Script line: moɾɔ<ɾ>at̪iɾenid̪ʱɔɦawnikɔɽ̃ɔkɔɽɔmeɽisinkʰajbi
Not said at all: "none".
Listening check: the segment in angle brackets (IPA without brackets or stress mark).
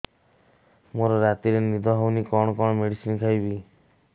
ɾ